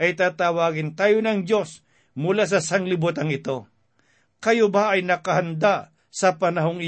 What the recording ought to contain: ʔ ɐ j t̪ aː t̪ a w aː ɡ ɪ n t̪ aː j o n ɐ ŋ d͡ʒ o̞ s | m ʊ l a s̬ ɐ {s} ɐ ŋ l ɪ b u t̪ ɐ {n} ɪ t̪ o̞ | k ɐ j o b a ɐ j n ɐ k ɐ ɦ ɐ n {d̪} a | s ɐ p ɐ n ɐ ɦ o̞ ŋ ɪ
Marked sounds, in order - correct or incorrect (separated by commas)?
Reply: correct, incorrect, correct